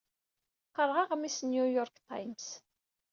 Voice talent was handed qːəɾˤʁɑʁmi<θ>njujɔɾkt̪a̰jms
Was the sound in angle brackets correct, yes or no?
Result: no